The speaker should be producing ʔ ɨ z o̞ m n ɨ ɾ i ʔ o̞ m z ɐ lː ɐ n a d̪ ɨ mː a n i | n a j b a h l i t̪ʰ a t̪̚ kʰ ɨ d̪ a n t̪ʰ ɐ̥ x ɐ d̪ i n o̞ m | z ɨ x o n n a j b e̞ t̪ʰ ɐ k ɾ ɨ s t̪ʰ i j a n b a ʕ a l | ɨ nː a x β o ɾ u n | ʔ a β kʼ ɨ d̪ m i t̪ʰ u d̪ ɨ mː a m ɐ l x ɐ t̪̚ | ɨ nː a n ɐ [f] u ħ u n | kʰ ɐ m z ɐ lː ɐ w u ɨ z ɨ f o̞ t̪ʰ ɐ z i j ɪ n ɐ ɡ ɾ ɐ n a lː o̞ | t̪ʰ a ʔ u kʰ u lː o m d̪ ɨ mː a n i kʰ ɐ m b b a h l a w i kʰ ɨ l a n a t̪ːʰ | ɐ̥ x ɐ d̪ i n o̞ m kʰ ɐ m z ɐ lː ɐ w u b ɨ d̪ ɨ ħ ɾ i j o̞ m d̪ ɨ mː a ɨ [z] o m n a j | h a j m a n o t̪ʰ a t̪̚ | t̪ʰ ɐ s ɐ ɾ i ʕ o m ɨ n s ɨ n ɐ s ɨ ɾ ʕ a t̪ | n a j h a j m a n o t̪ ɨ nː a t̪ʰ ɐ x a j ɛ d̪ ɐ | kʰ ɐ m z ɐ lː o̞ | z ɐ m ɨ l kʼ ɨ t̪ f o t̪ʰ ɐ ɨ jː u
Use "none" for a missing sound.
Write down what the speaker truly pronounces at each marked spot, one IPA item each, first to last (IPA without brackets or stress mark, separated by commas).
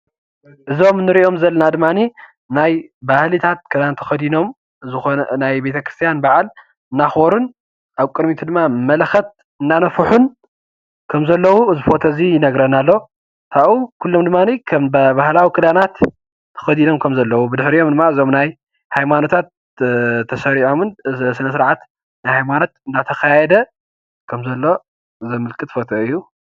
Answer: f, z